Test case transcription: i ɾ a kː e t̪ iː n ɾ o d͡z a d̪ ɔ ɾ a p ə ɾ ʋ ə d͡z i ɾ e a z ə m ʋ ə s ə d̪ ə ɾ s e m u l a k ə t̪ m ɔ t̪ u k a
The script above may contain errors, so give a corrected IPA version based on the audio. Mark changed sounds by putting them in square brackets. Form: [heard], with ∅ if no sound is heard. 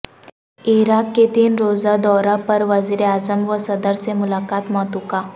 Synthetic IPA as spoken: i ɾ a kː e t̪ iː n ɾ o d͡z a d̪ ɔ ɾ a p ə ɾ ʋ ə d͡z i ɾ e a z ə m ʋ ə s ə d̪ ə ɾ [t͡s] e m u l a k [a] t̪ m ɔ t̪ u k a